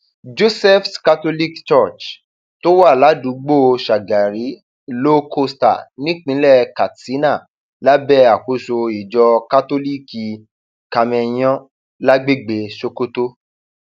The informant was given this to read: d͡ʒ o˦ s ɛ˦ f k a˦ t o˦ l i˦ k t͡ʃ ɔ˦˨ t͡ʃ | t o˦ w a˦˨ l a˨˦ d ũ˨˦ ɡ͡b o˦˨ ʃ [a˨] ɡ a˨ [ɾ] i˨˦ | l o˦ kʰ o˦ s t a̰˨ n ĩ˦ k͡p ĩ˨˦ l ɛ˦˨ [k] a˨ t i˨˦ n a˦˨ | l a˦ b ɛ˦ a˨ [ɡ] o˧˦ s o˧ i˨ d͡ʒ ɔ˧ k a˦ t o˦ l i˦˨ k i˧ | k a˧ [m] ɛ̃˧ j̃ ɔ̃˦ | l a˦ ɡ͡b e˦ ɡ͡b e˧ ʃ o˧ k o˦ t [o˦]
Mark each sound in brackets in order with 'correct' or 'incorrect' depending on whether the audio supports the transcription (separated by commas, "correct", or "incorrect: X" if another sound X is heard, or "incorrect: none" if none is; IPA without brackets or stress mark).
correct, correct, correct, incorrect: k, correct, correct